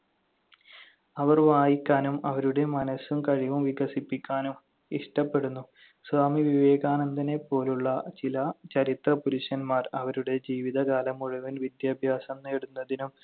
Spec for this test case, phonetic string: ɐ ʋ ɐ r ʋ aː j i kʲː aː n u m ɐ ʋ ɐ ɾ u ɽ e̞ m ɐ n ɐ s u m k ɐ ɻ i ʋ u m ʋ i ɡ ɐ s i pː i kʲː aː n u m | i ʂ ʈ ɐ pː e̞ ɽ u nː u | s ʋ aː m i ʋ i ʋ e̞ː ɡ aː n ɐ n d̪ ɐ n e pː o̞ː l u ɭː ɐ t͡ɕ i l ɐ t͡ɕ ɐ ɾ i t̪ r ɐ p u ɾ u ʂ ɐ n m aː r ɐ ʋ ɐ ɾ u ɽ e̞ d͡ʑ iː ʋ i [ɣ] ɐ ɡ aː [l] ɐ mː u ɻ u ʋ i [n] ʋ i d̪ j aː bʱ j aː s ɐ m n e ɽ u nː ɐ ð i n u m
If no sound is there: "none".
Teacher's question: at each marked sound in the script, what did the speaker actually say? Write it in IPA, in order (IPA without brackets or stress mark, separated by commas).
ð, l, n